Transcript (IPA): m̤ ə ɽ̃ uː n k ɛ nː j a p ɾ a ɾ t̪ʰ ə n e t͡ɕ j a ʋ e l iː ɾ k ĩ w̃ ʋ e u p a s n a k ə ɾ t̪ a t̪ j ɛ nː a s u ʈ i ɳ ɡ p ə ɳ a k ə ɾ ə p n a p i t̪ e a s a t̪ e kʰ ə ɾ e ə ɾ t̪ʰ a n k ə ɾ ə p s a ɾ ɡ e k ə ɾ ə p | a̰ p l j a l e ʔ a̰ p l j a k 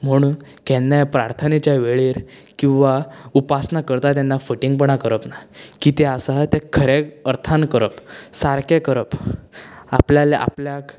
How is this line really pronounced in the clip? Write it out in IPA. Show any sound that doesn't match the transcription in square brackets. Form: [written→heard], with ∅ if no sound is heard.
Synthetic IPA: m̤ ə ɽ̃ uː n k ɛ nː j a p ɾ a ɾ t̪ʰ ə n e t͡ɕ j a ʋ e [l→ɭ] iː ɾ k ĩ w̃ ʋ [e→a] u p a s n a k ə ɾ t̪ a t̪ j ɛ nː a [s→f] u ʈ i [ɳ→ŋ] ɡ p ə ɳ a k ə ɾ ə p n a [p→k] i t̪ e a s a t̪ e kʰ ə ɾ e ə ɾ t̪ʰ a n k ə ɾ ə p s a ɾ [ɡ→k] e k ə ɾ ə p | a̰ p l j a l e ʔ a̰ p l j a k